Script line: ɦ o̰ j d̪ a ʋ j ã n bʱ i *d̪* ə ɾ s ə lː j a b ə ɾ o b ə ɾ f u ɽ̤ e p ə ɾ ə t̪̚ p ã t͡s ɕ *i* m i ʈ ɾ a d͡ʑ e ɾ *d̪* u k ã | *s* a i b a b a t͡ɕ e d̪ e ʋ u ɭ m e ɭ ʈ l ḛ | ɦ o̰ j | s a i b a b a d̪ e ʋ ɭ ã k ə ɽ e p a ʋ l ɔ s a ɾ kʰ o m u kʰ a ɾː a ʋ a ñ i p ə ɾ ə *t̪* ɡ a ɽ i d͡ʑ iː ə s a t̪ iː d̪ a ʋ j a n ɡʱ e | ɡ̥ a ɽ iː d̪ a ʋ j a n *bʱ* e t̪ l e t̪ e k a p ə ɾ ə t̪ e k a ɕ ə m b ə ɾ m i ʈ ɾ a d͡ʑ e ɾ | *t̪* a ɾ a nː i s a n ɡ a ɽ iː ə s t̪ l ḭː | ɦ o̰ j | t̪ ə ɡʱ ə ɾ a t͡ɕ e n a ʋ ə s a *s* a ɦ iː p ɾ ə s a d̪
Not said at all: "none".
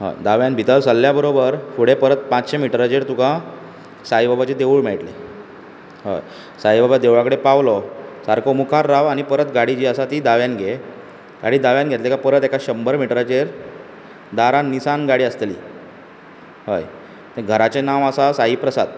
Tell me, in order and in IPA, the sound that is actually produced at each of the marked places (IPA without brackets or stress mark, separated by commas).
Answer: t̪, e, t̪, s, t̪, ɡʱ, d̪, s